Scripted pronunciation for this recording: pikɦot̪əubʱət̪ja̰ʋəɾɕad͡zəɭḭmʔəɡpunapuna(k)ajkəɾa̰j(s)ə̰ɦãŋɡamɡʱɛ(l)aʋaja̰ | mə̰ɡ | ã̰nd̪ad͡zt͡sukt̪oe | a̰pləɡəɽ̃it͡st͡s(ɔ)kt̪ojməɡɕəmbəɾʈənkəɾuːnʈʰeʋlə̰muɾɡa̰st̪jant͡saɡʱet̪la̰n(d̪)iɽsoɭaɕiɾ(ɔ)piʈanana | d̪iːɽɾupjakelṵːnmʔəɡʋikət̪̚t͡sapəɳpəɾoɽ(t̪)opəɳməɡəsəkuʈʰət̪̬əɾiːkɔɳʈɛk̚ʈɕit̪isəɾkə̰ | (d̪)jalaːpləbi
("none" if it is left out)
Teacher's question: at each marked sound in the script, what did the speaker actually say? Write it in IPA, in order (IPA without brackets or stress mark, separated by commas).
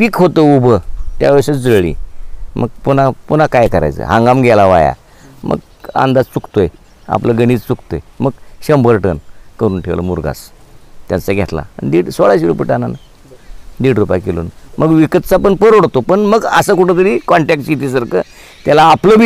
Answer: k, t͡s, l, u, d̪, u, t̪, t̪